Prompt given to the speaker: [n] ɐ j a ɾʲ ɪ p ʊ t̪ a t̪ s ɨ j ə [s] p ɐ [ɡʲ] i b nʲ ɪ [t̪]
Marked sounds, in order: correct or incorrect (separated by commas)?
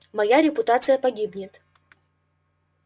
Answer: incorrect, incorrect, correct, correct